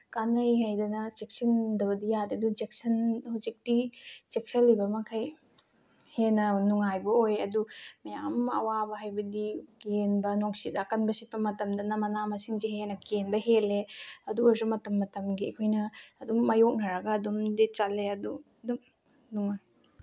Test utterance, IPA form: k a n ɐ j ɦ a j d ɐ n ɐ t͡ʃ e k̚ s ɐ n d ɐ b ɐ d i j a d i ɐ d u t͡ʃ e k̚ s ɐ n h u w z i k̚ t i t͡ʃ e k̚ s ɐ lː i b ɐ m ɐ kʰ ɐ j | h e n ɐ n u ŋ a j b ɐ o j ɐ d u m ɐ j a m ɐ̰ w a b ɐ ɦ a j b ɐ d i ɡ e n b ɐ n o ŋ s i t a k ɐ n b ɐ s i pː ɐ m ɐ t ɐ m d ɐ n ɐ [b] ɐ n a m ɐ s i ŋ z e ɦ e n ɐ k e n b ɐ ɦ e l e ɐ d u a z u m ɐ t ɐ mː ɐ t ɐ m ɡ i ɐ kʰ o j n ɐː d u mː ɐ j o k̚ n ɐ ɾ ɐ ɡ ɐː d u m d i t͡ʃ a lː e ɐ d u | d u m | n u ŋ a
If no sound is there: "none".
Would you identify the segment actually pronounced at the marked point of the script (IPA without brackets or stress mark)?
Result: m